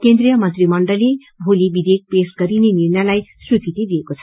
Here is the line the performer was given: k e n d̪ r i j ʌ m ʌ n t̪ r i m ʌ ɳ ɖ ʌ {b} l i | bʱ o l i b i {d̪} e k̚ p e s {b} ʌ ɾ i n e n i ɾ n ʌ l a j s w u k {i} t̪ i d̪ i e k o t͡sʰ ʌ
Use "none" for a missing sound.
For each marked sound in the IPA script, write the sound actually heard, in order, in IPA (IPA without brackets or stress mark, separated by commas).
none, d̪, ɡ, i